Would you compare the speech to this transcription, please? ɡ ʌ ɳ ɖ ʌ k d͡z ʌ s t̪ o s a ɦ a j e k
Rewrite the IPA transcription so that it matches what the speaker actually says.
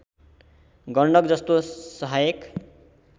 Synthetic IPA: ɡ ʌ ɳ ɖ ʌ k d͡z ʌ s t̪ o s ʌ ɦ a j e k